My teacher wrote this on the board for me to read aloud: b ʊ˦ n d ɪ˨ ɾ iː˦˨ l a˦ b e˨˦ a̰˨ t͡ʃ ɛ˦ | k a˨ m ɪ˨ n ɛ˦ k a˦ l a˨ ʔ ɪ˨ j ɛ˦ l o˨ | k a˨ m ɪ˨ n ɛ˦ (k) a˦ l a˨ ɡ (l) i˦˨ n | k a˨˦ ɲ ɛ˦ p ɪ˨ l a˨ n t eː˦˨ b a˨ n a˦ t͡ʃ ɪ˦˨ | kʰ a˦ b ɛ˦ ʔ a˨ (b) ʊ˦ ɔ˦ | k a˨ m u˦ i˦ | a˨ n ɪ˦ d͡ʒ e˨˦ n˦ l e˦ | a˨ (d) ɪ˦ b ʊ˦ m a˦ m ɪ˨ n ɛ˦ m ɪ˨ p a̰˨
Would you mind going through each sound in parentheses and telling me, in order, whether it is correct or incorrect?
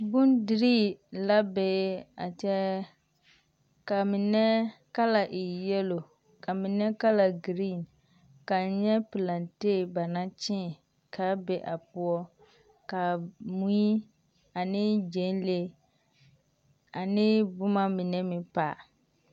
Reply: correct, incorrect: ɾ, incorrect: p, incorrect: n

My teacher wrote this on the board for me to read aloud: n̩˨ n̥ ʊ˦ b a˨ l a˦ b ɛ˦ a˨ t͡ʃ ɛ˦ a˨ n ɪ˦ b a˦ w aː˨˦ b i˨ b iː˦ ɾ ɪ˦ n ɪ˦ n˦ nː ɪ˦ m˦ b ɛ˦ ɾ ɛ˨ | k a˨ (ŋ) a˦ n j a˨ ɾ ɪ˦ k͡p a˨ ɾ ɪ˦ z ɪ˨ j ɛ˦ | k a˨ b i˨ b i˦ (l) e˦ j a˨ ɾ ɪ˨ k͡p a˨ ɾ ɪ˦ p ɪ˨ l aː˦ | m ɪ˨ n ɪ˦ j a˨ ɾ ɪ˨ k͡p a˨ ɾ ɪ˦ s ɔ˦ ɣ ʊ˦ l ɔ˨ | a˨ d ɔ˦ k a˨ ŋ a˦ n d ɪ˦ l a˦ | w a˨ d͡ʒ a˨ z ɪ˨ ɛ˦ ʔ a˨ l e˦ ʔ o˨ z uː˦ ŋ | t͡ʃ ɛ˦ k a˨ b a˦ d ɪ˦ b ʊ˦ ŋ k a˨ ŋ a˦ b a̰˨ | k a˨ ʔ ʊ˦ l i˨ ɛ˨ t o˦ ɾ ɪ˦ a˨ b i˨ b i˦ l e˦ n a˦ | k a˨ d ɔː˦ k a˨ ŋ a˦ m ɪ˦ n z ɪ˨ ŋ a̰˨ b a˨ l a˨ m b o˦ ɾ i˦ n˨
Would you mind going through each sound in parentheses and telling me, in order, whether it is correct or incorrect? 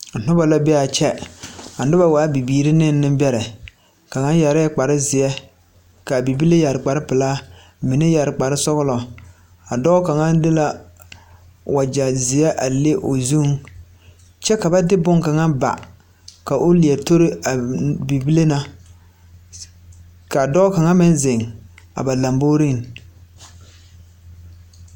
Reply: correct, correct

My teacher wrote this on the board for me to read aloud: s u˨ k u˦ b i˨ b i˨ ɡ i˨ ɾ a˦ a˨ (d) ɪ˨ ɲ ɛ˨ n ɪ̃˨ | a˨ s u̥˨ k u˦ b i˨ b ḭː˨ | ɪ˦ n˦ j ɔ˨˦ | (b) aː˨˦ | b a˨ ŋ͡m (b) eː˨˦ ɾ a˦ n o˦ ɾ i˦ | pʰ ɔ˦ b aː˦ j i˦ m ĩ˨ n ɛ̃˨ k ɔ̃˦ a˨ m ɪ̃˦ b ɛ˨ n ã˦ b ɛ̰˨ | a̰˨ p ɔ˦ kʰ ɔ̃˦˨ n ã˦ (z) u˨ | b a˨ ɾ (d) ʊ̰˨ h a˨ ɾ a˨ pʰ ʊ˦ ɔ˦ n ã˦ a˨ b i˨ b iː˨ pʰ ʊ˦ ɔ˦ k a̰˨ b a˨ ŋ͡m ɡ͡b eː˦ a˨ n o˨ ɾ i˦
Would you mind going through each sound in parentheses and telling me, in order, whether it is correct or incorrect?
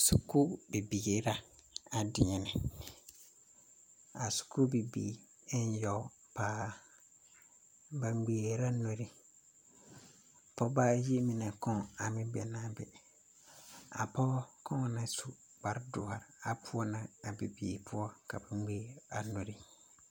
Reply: correct, incorrect: p, incorrect: ɡ͡b, incorrect: s, correct

